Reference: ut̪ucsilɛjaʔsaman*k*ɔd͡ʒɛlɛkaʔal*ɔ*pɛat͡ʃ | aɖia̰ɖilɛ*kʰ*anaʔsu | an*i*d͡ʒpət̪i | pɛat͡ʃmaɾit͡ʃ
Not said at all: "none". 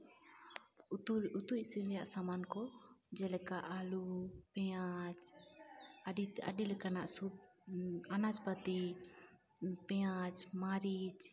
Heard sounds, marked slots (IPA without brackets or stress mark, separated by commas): k, u, k, a